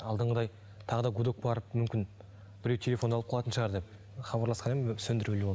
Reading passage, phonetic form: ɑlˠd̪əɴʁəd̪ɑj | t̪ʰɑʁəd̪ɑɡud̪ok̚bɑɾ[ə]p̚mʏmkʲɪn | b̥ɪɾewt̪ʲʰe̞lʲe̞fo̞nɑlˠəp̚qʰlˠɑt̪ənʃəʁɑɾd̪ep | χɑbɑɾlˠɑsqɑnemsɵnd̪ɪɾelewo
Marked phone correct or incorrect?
correct